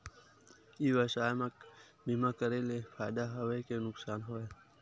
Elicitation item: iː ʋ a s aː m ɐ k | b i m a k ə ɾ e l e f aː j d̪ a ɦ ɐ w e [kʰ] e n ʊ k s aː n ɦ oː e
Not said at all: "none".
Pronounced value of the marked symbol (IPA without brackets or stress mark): k